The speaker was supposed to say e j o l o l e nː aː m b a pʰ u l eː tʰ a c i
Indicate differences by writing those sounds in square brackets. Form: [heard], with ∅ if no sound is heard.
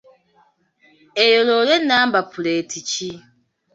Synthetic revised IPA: e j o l o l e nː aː m b a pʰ u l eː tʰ [i] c i